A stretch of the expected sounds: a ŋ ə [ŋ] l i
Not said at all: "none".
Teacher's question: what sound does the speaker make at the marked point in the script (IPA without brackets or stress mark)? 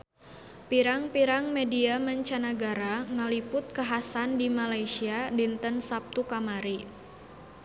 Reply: none